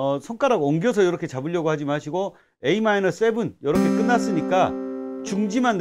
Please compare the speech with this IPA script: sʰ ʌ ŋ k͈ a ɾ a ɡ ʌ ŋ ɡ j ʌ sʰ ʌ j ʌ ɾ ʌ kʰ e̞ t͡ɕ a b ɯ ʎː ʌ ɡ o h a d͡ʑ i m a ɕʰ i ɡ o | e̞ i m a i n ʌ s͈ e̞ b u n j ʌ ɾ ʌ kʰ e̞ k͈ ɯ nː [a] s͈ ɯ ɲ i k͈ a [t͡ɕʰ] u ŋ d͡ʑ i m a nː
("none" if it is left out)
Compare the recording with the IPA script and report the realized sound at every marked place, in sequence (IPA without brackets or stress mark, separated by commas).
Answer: a, t͡ɕ